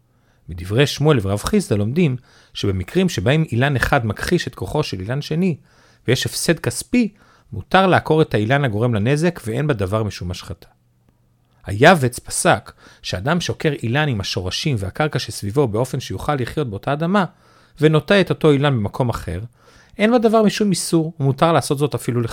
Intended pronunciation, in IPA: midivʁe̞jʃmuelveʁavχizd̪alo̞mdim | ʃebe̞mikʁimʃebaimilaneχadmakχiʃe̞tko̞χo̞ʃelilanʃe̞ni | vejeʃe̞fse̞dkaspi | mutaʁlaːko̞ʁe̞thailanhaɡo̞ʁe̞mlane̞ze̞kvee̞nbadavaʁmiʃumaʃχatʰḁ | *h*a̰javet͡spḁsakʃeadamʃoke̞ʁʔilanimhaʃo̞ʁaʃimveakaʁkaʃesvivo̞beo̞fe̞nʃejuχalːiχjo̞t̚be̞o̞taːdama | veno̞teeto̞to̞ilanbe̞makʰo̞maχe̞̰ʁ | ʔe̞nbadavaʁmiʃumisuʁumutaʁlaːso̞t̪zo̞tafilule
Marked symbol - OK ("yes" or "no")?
yes